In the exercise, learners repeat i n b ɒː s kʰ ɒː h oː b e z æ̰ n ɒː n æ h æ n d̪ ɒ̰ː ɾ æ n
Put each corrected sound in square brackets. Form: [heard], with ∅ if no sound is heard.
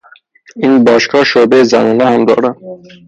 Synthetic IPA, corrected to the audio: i n b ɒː [ʃ] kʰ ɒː [ʃ] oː b e z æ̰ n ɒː n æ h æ [m] d̪ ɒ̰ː ɾ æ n

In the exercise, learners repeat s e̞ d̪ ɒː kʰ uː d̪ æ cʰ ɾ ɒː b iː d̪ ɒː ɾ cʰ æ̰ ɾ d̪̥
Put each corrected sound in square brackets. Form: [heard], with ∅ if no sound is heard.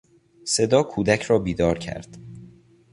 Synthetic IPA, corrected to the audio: s e̞ d̪ ɒː kʰ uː d̪ æ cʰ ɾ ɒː b iː d̪ ɒː ɾ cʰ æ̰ ɾ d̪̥

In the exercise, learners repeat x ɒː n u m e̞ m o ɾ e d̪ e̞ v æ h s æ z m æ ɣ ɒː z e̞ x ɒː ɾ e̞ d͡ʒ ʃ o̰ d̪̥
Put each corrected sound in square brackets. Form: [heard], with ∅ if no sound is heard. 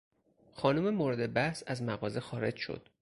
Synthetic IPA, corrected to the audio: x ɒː n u m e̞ m o ɾ e d̪ e̞ [b] æ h s æ z m æ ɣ ɒː z e̞ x ɒː ɾ e̞ d͡ʒ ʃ o̰ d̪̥

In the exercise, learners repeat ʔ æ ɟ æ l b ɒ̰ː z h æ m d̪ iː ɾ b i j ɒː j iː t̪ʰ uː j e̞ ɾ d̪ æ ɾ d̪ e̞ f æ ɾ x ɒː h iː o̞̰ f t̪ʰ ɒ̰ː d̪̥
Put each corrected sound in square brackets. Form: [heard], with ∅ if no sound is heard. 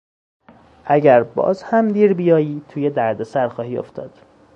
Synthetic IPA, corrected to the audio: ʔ æ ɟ æ [ɾ] b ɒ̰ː z h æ m d̪ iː ɾ b i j ɒː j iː t̪ʰ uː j e̞ [∅] d̪ æ ɾ d̪ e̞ [s] æ ɾ x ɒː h iː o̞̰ f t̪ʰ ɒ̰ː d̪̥

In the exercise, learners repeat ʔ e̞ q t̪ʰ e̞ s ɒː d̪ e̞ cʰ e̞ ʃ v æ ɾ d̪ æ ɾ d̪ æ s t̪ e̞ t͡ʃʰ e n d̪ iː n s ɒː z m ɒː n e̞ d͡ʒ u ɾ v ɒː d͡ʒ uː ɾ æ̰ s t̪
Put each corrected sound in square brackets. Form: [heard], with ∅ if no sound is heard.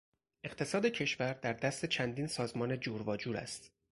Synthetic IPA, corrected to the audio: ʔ e̞ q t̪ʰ e̞ s ɒː d̪ e̞ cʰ e̞ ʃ v æ ɾ d̪ æ ɾ d̪ æ s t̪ e̞ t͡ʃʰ [æ] n d̪ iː n s ɒː z m ɒː n e̞ d͡ʒ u ɾ v ɒː d͡ʒ uː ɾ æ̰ s t̪

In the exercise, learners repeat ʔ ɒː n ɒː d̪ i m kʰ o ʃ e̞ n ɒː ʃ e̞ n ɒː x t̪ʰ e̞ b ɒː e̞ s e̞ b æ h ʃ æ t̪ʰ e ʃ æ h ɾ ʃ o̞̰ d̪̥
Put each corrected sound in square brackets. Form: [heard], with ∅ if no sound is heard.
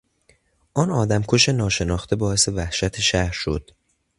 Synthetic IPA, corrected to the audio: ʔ ɒː n ɒː d̪ [æ] m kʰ o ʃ e̞ n ɒː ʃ e̞ n ɒː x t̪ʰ e̞ b ɒː e̞ s e̞ [v] æ h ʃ æ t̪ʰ e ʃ æ h ɾ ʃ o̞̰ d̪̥

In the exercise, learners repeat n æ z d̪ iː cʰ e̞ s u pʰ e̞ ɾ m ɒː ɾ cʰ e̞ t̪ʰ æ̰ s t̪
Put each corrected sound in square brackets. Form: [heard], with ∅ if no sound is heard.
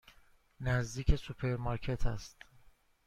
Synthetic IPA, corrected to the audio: n æ z d̪ iː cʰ e̞ s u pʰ e̞ ɾ m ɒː ɾ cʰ e̞ t̪ʰ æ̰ s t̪

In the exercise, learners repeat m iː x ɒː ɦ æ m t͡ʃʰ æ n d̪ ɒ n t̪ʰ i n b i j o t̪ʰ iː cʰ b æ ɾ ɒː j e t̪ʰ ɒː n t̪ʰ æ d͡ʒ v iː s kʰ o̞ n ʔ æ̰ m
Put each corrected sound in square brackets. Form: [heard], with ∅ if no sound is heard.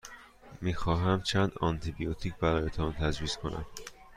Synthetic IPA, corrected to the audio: m iː x ɒː ɦ æ m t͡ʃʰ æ n d̪ ɒ n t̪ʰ i [∅] b i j o t̪ʰ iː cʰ b æ ɾ ɒː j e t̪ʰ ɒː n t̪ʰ æ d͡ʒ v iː s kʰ o̞ n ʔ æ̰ m

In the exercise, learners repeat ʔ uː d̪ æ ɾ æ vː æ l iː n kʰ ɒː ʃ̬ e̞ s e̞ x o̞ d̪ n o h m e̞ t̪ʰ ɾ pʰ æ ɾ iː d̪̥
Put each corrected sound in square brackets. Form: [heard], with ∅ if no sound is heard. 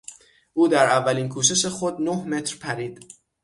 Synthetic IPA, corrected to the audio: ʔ uː d̪ æ ɾ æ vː æ l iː n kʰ [uː] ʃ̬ e̞ [ʃ] e̞ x o̞ d̪ n o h m e̞ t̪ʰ ɾ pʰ æ ɾ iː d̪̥

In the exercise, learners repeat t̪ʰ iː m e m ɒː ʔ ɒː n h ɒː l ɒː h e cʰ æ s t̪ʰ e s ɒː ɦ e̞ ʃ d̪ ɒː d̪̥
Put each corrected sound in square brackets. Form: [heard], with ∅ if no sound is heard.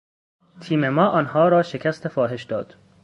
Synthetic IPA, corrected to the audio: t̪ʰ iː m e m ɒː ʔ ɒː n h ɒː [ɾ] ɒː [ʃ] e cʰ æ s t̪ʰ e [f] ɒː ɦ e̞ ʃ d̪ ɒː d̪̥

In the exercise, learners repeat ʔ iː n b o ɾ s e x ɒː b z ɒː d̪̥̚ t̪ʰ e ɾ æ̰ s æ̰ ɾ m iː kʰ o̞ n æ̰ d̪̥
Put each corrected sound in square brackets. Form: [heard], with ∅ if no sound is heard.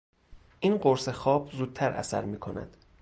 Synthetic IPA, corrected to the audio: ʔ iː n [ɢ] o ɾ s e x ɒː b z [uː] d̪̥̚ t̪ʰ [æ] ɾ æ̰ s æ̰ ɾ m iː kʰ o̞ n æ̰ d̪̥

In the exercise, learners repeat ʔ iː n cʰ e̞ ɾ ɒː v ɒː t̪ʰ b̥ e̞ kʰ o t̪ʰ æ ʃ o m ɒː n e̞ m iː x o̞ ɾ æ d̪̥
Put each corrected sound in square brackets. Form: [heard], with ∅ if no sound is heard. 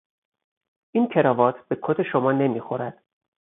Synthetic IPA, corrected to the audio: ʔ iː n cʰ e̞ ɾ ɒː v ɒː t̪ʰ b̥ e̞ kʰ o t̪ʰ [e] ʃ o m ɒː n e̞ m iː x o̞ ɾ æ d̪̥

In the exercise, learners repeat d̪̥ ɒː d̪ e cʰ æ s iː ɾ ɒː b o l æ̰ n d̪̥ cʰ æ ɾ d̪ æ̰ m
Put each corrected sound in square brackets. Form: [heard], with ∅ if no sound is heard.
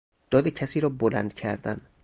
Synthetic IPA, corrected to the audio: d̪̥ ɒː d̪ e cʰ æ s iː ɾ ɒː b o l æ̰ n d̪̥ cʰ æ ɾ d̪ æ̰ [n]

